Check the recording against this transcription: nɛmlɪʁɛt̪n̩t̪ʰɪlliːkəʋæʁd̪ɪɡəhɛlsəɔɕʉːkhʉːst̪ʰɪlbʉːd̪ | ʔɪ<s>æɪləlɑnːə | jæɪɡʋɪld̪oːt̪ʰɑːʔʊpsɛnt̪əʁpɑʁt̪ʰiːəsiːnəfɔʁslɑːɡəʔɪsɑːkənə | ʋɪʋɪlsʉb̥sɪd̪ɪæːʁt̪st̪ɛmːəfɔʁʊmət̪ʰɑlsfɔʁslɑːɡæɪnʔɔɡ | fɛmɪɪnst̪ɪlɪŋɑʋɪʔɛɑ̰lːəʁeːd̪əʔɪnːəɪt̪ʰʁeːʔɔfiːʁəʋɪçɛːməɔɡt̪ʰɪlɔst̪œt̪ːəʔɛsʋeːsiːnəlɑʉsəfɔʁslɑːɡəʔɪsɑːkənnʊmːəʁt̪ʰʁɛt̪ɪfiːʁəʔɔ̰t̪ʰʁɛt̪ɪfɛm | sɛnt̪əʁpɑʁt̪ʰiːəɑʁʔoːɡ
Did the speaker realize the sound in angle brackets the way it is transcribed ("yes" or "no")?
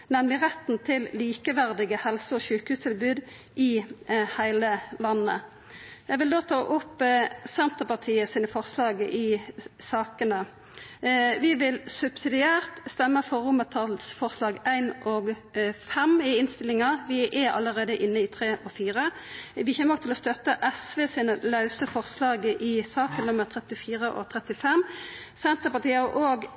no